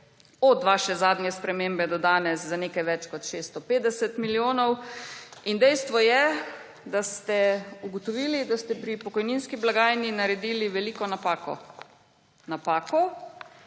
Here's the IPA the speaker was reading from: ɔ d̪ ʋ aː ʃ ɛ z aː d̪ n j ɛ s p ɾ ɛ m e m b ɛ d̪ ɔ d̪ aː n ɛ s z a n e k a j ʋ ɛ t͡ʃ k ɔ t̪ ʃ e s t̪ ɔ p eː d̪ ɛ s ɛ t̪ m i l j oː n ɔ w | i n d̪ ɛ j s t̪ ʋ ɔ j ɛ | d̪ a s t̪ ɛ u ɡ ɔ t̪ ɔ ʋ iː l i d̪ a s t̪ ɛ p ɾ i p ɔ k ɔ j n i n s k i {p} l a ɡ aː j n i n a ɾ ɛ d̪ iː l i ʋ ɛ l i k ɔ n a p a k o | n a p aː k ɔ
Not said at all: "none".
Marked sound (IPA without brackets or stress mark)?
b